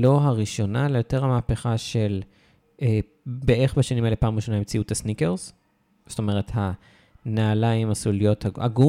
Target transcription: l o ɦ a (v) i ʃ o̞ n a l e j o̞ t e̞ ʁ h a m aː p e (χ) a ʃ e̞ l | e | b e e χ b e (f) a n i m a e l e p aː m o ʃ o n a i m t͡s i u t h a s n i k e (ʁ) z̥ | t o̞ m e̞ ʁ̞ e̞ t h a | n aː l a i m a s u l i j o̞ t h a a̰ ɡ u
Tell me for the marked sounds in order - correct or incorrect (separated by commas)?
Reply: incorrect, correct, incorrect, correct